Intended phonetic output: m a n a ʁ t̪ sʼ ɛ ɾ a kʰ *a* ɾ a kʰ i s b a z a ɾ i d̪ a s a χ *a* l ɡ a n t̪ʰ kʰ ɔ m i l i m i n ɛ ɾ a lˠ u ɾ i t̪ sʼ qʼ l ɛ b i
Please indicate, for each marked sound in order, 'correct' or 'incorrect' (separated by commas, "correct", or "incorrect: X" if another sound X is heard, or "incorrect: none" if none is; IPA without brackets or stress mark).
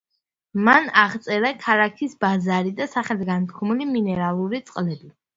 correct, incorrect: ɛ